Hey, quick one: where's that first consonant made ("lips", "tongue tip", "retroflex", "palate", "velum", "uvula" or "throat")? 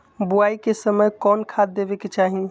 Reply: lips